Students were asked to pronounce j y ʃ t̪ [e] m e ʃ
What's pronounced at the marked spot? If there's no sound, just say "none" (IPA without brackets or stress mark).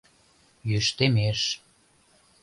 e